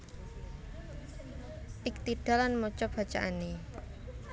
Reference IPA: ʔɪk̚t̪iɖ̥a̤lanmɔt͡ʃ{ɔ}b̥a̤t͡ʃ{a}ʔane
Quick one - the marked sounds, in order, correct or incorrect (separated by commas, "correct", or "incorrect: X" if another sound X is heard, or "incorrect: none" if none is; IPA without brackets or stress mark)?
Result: correct, correct